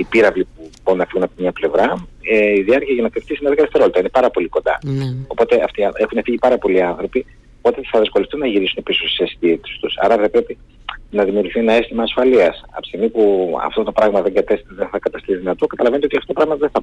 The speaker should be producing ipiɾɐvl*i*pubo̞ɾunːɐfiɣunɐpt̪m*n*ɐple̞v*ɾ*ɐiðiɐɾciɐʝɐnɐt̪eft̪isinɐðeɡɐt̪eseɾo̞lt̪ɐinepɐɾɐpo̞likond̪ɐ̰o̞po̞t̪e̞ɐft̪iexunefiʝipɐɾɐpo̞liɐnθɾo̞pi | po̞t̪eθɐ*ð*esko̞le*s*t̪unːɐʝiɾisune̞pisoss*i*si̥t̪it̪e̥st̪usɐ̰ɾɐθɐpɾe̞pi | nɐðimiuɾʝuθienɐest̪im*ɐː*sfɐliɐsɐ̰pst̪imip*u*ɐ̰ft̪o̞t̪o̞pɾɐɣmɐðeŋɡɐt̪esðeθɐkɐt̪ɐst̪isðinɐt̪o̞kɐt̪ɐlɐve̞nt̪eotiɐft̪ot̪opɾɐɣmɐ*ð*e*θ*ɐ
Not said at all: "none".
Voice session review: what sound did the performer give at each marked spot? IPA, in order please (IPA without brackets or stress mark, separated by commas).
i, ɲ, ɾ, ð, f, e, ɐː, u, ð, θ